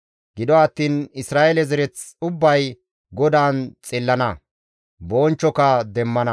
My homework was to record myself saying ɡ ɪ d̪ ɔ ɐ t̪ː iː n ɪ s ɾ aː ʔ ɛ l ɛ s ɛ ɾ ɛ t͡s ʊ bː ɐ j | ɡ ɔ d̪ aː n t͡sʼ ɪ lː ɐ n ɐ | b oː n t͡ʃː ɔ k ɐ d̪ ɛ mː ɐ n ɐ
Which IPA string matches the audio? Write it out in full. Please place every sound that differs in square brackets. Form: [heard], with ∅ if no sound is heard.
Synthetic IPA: ɡ ɪ d̪ ɔ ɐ t̪ː iː n ɪ s ɾ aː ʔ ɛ l ɛ [z] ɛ ɾ ɛ t͡s ʊ bː ɐ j | ɡ ɔ d̪ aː n t͡sʼ ɪ lː ɐ n ɐ | b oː n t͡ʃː ɔ k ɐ d̪ ɛ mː ɐ n ɐ